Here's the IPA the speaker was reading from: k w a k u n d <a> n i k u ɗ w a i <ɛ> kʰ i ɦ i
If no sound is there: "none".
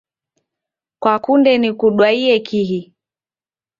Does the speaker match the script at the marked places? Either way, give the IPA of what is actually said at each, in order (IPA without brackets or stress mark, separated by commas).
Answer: ɛ, ɛ